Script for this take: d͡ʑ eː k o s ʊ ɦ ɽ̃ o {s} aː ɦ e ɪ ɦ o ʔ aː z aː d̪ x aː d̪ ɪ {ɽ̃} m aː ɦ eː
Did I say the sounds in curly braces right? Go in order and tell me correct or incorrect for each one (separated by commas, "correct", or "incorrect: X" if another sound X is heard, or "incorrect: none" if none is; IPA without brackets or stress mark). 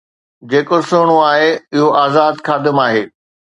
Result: incorrect: none, incorrect: none